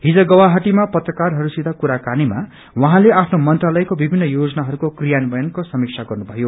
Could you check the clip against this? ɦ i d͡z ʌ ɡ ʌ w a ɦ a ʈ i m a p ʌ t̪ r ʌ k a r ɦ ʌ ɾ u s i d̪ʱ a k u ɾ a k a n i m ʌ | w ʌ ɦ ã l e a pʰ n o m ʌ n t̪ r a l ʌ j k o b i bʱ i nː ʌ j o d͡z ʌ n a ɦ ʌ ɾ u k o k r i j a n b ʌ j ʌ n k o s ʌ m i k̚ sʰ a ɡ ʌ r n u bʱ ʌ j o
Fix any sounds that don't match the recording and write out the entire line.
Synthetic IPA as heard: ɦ i d͡z ʌ ɡ ʌ w a ɦ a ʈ i m a p ʌ t̪ r ʌ k a r ɦ ʌ ɾ u s i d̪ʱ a k u ɾ a k a n i m a | w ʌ ɦ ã l e a pʰ n o m ʌ n t̪ r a l ʌ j k o b i bʱ i nː ʌ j o d͡z ʌ n a ɦ ʌ ɾ u k o k r i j a n b ʌ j ʌ n k o s ʌ m i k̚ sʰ a ɡ ʌ r n u bʱ ʌ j o